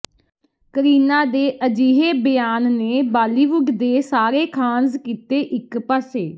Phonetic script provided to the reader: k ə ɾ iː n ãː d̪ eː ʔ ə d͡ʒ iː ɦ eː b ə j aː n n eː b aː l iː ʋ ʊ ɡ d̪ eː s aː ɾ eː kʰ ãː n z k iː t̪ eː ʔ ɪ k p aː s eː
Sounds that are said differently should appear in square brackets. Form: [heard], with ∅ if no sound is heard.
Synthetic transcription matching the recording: k ə ɾ iː n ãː d̪ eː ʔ ə d͡ʒ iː ɦ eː b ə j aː n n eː b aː l iː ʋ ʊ ɡ d̪ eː s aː ɾ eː kʰ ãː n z k iː t̪ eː ʔ ɪ k p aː s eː